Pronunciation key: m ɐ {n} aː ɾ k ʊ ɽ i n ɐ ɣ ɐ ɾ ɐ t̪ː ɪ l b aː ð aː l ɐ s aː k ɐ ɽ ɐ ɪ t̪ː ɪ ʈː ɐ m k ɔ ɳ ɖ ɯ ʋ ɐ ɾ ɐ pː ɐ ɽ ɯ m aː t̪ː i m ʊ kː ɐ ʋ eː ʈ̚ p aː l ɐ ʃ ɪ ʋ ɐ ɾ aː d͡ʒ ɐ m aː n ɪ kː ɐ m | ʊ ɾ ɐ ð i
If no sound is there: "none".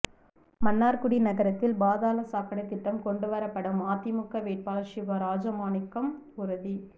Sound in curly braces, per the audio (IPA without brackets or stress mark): nː